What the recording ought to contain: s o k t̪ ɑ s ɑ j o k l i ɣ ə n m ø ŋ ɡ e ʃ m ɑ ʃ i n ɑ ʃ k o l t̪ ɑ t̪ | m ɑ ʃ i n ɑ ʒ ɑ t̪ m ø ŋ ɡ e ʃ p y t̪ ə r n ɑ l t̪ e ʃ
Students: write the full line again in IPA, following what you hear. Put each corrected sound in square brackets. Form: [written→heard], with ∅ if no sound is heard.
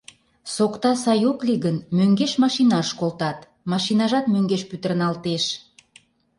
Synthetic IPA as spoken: s o k t̪ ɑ s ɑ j o k l i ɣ ə n m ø ŋ ɡ e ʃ m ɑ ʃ i n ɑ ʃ k o l t̪ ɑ t̪ | m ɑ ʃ i n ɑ ʒ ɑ t̪ m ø ŋ ɡ e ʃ p y t̪ ə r n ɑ l t̪ e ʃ